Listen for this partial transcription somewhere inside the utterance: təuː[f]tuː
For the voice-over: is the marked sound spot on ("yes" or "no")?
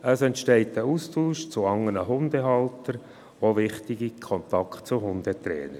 no